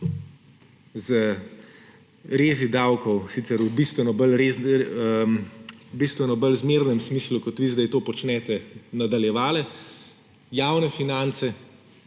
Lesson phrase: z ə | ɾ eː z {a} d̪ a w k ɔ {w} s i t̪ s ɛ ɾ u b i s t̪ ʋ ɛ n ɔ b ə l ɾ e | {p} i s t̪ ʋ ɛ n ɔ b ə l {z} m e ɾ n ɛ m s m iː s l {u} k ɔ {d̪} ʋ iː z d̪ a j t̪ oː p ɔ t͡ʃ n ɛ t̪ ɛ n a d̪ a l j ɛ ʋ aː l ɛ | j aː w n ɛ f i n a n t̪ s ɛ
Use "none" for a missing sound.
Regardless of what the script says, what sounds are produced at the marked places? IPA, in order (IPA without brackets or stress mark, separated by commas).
i, w, b, z, u, t̪